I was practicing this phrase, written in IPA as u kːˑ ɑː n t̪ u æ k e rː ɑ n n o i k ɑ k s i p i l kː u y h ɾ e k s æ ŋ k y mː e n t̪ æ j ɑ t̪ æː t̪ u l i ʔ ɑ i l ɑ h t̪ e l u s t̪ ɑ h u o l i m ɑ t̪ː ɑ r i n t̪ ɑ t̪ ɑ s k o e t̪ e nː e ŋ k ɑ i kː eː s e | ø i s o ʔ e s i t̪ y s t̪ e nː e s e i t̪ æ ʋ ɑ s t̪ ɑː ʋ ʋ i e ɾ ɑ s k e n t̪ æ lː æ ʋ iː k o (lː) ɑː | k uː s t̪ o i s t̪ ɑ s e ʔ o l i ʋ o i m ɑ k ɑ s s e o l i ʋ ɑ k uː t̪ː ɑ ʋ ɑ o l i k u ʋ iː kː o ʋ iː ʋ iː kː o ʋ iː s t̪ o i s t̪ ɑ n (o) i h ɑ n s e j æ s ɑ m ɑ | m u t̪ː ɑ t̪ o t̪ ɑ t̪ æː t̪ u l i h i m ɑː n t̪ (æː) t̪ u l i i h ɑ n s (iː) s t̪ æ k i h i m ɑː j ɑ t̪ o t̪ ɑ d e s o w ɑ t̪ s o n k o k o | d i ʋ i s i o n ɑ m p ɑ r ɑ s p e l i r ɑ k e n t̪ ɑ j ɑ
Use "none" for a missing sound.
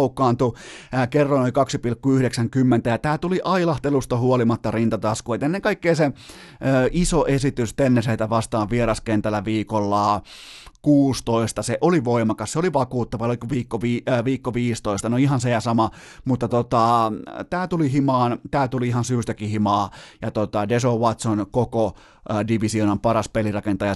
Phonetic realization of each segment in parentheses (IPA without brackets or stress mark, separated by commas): lː, o, æː, yː